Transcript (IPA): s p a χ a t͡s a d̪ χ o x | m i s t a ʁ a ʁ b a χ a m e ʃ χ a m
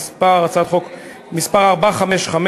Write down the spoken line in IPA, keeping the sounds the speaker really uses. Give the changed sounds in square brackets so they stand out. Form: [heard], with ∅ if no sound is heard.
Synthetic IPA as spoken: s p a [ʁ] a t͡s a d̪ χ o [k] | m i s [p] a ʁ a ʁ b a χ a m e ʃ χ a m